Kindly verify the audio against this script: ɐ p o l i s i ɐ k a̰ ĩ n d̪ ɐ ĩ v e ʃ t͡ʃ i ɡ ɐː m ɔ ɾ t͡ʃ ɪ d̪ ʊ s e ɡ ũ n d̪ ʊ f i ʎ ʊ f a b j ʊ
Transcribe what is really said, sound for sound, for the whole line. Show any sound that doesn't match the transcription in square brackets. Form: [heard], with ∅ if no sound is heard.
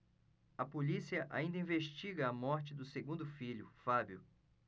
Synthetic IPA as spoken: ɐ p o l i s i ɐ [ʔ] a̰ ĩ n d̪ ɐ ĩ v e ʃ t͡ʃ i ɡ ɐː m ɔ ɾ t͡ʃ ɪ d̪ ʊ s e ɡ ũ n d̪ ʊ f i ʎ ʊ f a b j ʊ